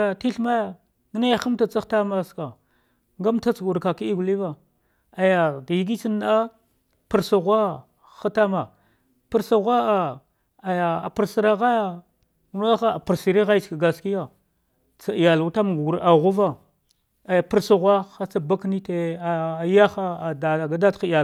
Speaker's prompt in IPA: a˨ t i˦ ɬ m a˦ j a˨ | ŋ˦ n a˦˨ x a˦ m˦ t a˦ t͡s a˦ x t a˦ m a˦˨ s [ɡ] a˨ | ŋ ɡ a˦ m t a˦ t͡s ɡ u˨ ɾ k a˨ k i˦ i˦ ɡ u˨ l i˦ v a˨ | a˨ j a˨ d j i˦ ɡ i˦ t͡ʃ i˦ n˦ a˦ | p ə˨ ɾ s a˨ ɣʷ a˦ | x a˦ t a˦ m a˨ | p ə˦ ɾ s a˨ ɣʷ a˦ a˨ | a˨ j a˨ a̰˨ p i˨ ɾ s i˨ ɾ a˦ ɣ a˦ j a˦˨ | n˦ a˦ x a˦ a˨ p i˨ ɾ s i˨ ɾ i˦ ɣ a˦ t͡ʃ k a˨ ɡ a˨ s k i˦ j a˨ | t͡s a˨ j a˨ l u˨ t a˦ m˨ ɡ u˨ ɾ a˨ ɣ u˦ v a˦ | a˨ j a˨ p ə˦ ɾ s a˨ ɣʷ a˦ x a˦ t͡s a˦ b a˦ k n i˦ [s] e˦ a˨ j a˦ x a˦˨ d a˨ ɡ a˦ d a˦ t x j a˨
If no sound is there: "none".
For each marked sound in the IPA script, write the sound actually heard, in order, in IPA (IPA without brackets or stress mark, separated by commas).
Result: k, t